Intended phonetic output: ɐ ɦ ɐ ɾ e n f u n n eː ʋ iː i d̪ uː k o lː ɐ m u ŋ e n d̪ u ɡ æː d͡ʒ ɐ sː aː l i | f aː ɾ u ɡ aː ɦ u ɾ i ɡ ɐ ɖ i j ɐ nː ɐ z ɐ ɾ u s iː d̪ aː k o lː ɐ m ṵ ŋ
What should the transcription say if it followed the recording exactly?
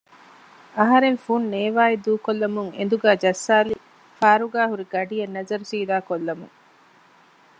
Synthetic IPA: ɐ ɦ ɐ ɾ e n f u n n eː ʋ aː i d̪ uː k o lː ɐ m u ŋ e n d̪ u ɡ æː d͡ʒ ɐ sː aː l i | f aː ɾ u ɡ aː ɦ u ɾ i ɡ ɐ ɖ i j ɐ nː ɐ z ɐ ɾ u s iː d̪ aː k o lː ɐ m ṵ ŋ